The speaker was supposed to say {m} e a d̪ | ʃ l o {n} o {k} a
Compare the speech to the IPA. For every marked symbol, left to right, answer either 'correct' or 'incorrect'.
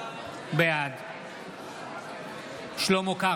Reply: incorrect: b, incorrect: m, correct

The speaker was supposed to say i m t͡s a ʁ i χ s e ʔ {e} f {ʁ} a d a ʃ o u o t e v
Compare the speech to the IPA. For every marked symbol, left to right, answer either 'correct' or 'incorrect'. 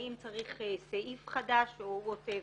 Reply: incorrect: i, incorrect: χ

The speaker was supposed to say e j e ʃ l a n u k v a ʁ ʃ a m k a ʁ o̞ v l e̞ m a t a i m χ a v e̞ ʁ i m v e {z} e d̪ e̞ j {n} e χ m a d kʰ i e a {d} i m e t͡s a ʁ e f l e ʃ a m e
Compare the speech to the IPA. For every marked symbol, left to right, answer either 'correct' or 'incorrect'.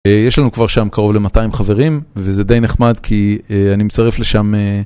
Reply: correct, correct, incorrect: n

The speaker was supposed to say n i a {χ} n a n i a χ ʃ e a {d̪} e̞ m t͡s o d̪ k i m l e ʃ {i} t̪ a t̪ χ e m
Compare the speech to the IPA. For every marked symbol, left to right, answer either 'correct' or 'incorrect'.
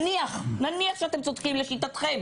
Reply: correct, incorrect: t̪, correct

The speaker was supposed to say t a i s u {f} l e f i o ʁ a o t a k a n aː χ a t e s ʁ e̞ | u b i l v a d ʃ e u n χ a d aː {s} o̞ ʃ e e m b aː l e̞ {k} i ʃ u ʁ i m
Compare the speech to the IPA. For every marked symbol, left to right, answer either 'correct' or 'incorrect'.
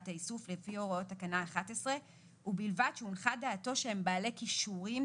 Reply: correct, incorrect: t, correct

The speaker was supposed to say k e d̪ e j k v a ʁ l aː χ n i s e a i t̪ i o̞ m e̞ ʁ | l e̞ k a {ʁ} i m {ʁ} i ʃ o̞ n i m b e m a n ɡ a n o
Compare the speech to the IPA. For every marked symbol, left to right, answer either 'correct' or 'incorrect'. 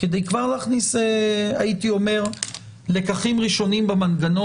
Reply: incorrect: χ, correct

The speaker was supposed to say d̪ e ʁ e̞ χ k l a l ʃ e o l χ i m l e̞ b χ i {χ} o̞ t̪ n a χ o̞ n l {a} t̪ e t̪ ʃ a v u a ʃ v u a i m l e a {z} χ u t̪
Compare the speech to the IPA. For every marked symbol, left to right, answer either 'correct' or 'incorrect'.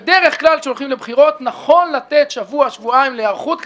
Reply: incorrect: ʁ, correct, incorrect: ʁ

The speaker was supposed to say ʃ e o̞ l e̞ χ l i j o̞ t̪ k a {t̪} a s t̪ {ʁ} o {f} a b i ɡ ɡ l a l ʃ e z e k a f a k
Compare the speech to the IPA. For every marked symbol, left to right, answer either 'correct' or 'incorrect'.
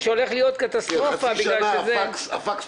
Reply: correct, correct, correct

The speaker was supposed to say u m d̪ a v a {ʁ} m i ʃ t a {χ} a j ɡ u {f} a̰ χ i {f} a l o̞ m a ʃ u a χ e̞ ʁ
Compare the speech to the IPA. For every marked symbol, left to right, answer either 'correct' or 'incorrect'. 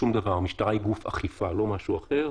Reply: correct, incorrect: ʁ, correct, correct

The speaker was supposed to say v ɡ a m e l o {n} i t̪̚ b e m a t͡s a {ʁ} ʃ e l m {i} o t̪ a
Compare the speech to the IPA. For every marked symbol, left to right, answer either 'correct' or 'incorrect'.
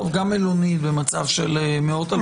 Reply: correct, incorrect: v, incorrect: e

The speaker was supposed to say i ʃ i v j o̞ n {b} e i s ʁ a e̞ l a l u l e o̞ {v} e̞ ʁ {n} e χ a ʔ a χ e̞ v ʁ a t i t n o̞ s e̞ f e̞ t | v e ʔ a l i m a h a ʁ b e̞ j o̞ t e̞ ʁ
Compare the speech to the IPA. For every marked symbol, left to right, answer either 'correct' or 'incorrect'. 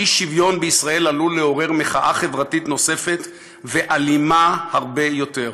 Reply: correct, incorrect: ʁ, incorrect: m

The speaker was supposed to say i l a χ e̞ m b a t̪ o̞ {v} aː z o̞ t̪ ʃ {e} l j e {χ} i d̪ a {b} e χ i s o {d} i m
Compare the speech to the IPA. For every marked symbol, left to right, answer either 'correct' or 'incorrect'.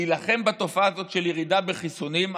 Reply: incorrect: f, correct, incorrect: ʁ, correct, incorrect: n

